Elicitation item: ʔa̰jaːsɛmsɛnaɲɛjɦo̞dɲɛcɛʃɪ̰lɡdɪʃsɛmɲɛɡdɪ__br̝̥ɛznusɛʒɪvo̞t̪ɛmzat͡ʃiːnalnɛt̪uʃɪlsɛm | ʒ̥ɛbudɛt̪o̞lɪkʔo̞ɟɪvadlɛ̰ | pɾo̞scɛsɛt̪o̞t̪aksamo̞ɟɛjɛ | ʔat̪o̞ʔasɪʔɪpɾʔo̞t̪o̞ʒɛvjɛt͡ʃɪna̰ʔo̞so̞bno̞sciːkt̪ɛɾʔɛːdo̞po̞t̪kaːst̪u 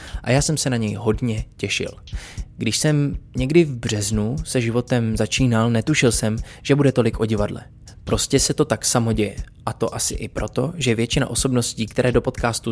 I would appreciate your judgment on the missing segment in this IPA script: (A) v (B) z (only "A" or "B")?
A